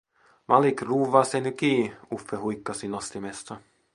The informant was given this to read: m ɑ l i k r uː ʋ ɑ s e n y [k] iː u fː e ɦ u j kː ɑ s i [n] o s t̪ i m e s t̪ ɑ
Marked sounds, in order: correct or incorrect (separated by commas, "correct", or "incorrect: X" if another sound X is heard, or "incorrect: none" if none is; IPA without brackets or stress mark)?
correct, correct